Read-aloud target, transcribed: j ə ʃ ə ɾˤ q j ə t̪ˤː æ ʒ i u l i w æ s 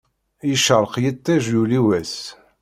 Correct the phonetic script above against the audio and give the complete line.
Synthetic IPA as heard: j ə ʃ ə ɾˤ q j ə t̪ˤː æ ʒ j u l i w æ s